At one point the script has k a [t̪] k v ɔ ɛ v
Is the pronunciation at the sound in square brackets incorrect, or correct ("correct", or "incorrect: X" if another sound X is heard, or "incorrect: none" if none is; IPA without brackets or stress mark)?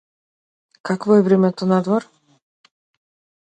incorrect: none